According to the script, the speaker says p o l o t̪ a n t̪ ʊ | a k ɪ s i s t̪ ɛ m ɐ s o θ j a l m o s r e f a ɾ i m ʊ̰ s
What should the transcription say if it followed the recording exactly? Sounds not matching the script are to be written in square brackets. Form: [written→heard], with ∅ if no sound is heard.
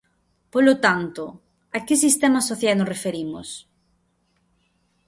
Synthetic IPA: p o l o t̪ a n t̪ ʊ | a k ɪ s i s t̪ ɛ m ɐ s o θ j a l [m→n] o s r e f [a→e] ɾ i m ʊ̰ s

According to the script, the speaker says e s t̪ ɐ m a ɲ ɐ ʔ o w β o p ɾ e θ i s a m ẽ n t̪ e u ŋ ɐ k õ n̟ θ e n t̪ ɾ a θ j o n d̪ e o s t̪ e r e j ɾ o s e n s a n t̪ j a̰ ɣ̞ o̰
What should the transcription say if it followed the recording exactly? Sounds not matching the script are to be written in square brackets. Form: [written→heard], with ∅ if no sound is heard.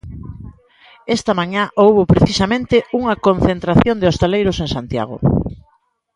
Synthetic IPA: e s t̪ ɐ m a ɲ [ɐ→a] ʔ o w β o p ɾ e θ i s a m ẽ n t̪ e u ŋ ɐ k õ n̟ θ e n t̪ ɾ a θ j o n d̪ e o s t̪ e [r→l] e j ɾ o s e [n→ŋ] s a n t̪ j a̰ ɣ̞ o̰

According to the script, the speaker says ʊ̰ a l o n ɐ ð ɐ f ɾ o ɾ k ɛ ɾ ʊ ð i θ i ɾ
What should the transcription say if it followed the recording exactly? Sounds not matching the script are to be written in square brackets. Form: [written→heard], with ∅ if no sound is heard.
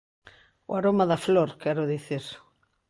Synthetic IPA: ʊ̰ a [l→ɾ] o [n→m] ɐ ð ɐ f [ɾ→l] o ɾ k ɛ ɾ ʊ ð i θ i ɾ

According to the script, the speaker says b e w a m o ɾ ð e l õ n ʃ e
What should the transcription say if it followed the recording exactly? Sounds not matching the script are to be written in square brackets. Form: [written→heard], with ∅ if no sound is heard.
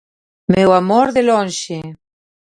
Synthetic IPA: [b→m] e w a m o ɾ ð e l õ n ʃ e

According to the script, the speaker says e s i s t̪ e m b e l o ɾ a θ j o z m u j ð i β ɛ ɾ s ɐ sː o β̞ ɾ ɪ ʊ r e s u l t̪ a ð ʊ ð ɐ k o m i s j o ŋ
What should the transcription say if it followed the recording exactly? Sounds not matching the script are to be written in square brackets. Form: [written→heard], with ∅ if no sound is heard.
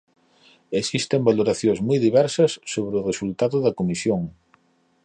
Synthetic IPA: e s i s t̪ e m b [e→a] l o ɾ a θ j o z m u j ð i β ɛ ɾ s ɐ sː o β̞ ɾ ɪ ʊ r e s u l t̪ a ð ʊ ð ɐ k o m i s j o ŋ

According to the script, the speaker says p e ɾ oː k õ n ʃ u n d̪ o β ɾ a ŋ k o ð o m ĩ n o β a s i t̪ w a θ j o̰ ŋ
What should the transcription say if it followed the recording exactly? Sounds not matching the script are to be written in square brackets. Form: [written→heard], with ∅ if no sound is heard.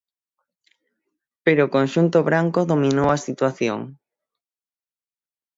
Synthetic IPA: p e ɾ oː k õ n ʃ u n [d̪→t̪] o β ɾ a ŋ k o ð o m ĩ n o [β→w] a s i t̪ w a θ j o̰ ŋ

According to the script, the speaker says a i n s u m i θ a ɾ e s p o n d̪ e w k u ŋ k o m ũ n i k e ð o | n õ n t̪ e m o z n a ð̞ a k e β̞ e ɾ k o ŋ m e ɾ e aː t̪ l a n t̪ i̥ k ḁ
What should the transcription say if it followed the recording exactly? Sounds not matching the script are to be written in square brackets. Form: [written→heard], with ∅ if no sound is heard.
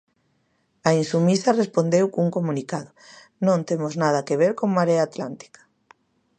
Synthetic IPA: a i n s u m i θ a [ɾ→r] e s p o n d̪ e w k u ŋ k o m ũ n i k [e→a] ð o | n õ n t̪ e m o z n a ð̞ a k e β̞ e ɾ k o ŋ m [e→a] ɾ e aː t̪ l a n t̪ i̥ k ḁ

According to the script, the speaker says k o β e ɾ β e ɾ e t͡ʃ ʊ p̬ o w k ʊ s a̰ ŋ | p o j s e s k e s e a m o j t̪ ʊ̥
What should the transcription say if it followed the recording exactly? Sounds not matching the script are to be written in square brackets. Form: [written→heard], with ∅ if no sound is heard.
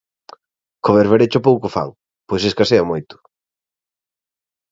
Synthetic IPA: k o β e ɾ β e ɾ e t͡ʃ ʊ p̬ o w k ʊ [s→f] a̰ ŋ | p o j s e s k [e→a] s e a m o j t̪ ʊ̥

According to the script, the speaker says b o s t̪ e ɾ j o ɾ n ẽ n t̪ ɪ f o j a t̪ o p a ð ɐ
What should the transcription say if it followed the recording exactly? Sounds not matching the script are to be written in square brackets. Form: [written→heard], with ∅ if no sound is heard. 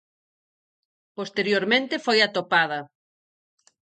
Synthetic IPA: [b→p] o s t̪ e ɾ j o ɾ [n→m] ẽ n t̪ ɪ f o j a t̪ o p a ð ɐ

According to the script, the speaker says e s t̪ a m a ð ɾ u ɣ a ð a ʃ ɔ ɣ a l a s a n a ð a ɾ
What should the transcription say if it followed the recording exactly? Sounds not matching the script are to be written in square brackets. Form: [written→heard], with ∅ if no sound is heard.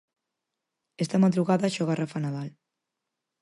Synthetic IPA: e s t̪ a m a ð ɾ u ɣ a ð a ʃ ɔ ɣ a [l→r] a [s→f] a n a ð a [ɾ→l]

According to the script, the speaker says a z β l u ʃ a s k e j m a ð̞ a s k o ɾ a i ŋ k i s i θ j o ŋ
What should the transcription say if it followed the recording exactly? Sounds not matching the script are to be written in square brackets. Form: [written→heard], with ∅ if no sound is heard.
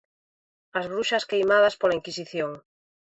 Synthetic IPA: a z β [l→ɾ] u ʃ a s k e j m a ð̞ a s [k→p] o [ɾ→l] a i ŋ k i s i θ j o ŋ

